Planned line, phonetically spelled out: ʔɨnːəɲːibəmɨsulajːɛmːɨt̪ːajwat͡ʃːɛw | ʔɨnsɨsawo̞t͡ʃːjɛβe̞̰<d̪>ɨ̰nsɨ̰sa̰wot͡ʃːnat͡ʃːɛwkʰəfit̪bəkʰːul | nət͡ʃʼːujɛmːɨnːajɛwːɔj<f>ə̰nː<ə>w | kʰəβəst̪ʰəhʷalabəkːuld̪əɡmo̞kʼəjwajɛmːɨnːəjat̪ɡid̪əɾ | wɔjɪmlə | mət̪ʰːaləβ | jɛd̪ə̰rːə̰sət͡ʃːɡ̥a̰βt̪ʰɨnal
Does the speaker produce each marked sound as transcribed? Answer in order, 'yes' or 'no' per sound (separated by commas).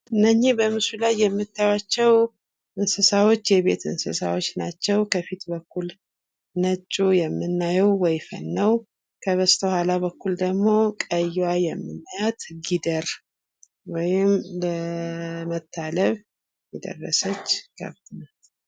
no, yes, yes